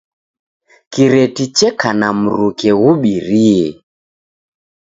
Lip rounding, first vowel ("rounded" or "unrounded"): unrounded